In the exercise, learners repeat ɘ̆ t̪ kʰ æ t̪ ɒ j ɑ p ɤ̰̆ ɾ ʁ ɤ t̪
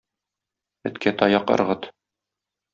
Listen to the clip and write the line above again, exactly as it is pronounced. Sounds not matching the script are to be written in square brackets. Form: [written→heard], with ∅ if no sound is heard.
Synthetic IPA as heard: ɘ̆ t̪ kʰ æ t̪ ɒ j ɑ [p→q] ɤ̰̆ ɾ ʁ ɤ t̪